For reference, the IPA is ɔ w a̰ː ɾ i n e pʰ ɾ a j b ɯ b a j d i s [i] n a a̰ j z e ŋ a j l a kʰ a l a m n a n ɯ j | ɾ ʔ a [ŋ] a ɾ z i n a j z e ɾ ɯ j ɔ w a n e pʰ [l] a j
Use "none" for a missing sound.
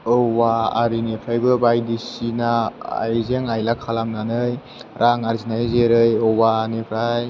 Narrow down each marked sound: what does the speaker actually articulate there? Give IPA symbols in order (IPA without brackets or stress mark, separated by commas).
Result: i, ŋ, ɾ